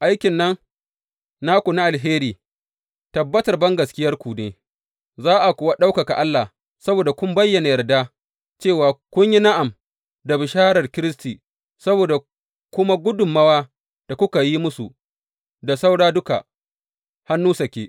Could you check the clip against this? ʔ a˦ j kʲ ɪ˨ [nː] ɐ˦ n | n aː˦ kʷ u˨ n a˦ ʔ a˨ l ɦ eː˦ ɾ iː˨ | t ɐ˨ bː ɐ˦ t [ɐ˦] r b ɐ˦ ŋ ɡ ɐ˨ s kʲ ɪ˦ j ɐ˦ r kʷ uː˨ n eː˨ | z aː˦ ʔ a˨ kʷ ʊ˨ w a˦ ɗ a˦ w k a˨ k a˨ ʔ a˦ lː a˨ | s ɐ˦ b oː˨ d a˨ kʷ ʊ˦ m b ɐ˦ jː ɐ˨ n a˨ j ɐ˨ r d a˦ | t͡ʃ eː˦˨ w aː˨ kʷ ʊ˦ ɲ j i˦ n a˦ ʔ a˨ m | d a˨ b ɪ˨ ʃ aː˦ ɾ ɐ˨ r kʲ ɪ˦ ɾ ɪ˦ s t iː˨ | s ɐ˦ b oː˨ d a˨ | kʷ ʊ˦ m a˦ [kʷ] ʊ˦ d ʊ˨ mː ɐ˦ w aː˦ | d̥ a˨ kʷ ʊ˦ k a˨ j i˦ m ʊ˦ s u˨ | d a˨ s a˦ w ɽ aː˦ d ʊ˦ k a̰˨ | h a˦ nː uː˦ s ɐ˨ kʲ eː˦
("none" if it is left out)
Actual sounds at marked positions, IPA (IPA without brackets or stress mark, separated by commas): nː, ɐ˨, ɡʷ